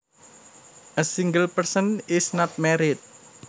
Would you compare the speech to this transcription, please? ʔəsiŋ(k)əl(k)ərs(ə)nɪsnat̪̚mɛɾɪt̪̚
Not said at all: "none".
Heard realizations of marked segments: ɡ, p, ə

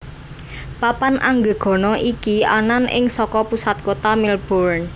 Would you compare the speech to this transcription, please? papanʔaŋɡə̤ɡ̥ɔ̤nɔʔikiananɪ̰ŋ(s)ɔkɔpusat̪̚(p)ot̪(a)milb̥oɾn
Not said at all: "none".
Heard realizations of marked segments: s, k, a

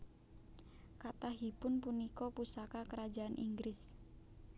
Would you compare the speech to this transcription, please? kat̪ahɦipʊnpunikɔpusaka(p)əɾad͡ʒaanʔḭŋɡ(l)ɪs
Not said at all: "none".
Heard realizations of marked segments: k, ɾ

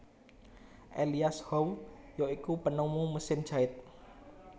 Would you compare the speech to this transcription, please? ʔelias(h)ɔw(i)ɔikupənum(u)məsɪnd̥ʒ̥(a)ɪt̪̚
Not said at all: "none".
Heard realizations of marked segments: h, j, u, a

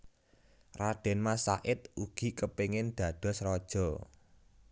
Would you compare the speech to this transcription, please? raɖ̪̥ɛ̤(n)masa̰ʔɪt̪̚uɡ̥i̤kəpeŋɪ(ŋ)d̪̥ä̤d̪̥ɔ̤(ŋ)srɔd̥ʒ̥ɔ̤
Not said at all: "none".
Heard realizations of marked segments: n, n, none

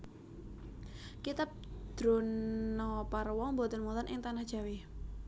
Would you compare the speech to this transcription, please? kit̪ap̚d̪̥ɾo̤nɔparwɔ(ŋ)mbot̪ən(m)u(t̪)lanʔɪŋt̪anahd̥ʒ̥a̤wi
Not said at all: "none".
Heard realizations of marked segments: ŋ, m, none

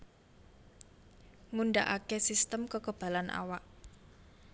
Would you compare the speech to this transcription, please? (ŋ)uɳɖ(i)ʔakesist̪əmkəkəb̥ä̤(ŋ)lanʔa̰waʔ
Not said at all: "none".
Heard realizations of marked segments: ŋ, a, none

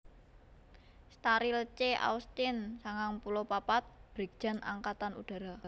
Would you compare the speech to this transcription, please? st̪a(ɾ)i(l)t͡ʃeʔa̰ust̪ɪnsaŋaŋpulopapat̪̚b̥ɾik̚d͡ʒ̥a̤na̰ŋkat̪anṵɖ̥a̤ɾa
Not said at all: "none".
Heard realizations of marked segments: ɾ, l

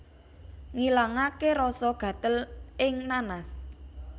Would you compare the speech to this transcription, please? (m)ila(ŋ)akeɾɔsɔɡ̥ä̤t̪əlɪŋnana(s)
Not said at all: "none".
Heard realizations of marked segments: ŋ, ŋ, s

